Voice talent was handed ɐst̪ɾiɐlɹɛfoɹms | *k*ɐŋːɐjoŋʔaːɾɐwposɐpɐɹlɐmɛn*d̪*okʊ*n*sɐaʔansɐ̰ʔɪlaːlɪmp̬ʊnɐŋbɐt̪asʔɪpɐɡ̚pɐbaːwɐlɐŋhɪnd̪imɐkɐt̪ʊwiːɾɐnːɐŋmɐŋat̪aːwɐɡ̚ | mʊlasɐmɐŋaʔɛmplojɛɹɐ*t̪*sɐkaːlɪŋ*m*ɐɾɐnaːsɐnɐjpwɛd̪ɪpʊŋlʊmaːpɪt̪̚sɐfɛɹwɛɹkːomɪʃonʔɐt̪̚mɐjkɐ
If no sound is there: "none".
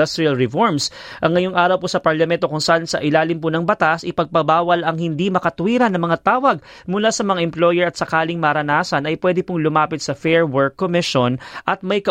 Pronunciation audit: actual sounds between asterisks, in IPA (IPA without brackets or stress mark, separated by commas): ʔ, t̪, ŋ, t̪, m